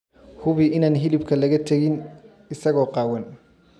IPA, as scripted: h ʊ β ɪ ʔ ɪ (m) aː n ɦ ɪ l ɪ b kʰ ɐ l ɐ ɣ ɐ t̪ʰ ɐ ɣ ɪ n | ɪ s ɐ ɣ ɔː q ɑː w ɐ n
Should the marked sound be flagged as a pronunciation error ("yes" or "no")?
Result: yes